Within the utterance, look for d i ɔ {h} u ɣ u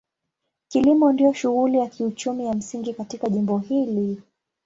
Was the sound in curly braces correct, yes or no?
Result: no